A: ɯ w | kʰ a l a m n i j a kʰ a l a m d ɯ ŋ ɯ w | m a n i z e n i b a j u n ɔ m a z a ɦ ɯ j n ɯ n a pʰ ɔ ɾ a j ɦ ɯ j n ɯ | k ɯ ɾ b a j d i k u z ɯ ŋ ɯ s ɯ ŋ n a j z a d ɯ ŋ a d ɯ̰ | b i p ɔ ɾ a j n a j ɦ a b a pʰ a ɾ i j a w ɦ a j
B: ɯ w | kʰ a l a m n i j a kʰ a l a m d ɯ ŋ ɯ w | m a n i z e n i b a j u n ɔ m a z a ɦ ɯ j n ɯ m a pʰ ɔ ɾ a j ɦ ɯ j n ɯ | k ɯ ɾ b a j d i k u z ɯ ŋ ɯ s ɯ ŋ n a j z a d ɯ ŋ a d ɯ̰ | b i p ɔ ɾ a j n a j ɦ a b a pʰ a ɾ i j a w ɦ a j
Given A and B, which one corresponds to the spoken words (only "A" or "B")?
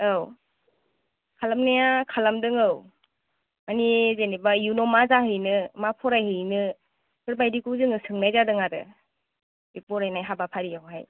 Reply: B